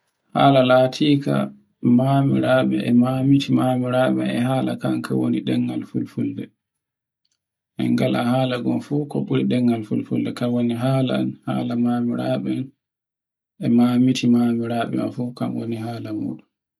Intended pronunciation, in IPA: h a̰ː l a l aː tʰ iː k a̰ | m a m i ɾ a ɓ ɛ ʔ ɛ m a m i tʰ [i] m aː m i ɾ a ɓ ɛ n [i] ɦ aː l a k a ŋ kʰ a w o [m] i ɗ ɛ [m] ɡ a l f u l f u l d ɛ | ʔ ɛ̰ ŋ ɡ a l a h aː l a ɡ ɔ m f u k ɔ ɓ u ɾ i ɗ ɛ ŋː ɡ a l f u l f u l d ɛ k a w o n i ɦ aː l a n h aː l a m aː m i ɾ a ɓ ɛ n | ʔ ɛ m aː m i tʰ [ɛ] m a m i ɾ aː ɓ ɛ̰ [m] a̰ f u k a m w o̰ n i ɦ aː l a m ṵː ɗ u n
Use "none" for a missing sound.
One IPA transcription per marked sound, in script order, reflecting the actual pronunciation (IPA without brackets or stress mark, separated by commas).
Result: i, ɛ, n, ŋ, i, m